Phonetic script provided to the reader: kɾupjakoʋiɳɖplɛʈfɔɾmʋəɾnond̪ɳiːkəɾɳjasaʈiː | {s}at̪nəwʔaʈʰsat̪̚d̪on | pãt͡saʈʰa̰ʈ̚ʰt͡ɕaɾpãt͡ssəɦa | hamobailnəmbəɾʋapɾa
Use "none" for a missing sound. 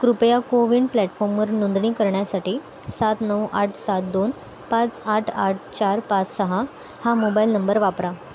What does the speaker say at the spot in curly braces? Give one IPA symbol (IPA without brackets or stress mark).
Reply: s